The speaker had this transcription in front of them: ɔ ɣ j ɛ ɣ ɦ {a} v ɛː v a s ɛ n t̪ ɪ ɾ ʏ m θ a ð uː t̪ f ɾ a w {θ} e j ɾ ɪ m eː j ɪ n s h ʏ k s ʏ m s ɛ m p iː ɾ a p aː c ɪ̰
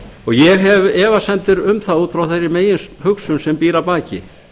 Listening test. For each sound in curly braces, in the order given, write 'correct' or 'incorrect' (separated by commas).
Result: incorrect, correct